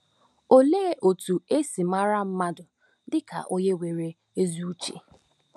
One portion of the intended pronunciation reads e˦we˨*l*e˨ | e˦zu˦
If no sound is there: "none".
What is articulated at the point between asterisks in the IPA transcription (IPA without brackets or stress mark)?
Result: ɾ